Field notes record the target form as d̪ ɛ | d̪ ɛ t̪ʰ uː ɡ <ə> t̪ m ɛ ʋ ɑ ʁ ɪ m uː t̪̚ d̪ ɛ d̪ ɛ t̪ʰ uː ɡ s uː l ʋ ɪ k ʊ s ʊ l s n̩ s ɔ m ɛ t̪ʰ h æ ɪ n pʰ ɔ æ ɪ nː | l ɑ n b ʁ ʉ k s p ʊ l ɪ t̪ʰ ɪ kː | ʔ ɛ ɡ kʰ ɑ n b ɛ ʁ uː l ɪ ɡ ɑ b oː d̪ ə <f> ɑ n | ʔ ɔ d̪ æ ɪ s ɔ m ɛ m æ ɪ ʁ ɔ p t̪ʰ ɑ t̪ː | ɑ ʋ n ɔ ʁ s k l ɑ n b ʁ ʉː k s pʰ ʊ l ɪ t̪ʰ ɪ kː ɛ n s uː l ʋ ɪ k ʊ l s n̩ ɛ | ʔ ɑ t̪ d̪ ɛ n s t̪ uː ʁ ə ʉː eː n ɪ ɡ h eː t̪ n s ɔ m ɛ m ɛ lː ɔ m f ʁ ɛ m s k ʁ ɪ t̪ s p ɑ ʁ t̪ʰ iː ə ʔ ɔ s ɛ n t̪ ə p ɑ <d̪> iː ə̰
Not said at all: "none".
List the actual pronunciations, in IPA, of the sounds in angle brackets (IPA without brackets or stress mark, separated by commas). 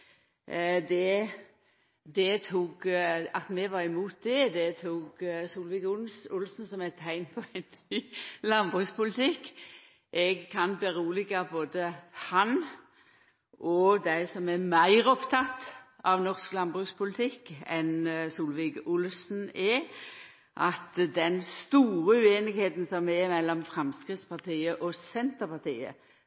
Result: ɑ, h, t̪